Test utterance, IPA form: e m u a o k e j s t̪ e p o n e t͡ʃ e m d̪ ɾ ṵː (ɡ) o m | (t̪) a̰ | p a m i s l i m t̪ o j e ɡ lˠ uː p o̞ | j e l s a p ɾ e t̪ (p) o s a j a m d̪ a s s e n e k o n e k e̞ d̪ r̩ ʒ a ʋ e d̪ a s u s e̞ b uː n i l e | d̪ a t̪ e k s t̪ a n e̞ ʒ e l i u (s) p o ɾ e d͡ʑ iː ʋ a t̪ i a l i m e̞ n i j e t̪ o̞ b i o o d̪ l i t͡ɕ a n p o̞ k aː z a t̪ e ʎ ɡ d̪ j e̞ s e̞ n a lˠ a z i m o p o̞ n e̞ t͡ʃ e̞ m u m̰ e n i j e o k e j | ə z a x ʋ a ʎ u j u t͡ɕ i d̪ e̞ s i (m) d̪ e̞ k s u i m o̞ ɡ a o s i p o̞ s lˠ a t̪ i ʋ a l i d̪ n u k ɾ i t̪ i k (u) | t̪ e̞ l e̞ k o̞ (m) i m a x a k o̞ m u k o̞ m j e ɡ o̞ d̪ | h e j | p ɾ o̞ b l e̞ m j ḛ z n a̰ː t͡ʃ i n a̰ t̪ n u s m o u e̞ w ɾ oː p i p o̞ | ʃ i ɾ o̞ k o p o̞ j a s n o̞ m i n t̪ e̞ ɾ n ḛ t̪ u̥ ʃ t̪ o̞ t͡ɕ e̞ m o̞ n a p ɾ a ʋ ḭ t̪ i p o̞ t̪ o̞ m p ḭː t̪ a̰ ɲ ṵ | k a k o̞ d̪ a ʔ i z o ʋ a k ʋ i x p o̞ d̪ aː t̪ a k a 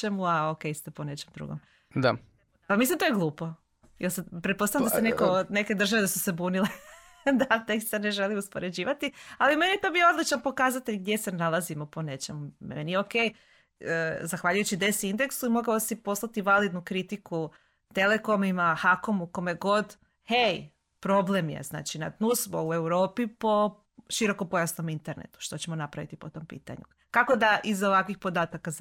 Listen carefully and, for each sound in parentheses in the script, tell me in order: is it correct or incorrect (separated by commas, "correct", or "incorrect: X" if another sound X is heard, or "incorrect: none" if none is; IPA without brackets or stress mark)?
correct, incorrect: d̪, correct, correct, incorrect: n, correct, correct